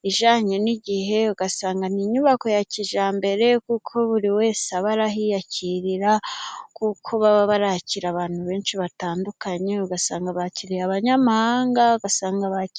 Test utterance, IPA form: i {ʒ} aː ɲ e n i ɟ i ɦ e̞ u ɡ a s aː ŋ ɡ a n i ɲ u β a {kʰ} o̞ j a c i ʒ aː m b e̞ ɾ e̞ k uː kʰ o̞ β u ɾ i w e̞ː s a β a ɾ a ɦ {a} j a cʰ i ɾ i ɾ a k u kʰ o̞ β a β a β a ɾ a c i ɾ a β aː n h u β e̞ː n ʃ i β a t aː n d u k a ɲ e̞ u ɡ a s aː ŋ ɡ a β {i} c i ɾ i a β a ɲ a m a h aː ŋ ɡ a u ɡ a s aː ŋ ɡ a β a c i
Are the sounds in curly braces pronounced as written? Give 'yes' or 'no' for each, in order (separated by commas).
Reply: yes, no, no, no